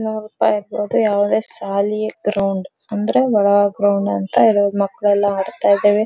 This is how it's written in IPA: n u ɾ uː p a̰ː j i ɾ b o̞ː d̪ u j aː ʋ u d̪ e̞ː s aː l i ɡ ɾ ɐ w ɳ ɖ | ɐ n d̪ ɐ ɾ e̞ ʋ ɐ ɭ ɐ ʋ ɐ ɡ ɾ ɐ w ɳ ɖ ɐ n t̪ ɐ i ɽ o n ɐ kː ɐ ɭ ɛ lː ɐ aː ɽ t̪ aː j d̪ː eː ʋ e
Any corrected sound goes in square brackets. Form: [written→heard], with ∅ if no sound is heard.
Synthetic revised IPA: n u ɾ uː p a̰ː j i ɾ b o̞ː d̪ u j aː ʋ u d̪ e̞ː s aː l i ɡ ɾ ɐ w ɳ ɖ | ɐ n d̪ ɐ ɾ e̞ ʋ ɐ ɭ ɐ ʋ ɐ ɡ ɾ ɐ w ɳ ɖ ɐ n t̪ ɐ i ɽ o [n→m] ɐ kː ɐ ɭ ɛ lː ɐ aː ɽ t̪ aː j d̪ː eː ʋ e